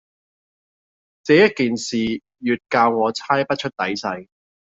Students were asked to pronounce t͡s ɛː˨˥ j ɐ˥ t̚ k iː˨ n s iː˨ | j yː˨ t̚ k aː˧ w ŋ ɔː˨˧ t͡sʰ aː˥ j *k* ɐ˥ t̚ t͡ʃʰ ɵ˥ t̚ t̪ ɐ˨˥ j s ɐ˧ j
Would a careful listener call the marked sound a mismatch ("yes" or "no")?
yes